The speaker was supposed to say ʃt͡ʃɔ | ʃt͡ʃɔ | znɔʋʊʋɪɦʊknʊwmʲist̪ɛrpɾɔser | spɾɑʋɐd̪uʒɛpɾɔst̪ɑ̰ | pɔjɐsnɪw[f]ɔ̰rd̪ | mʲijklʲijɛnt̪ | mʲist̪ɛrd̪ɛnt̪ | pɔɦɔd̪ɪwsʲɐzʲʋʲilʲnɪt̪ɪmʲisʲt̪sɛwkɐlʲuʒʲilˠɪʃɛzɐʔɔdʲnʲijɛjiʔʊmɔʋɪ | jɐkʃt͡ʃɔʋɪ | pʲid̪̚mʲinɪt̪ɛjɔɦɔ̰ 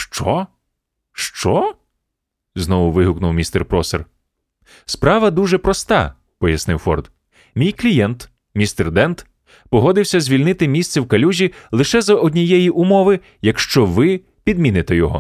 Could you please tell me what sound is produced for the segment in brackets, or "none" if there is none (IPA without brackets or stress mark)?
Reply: f